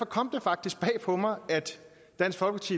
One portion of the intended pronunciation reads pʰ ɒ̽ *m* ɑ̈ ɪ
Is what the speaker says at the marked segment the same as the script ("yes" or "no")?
yes